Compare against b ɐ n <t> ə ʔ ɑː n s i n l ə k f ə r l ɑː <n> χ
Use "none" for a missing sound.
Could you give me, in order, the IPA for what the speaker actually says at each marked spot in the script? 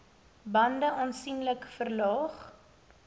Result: d, none

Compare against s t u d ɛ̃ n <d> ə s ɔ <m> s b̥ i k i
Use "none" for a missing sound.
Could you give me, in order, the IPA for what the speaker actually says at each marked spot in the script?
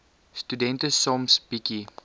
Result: t, m

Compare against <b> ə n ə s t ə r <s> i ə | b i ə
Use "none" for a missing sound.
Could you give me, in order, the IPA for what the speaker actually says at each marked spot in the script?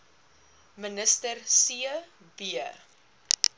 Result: m, s

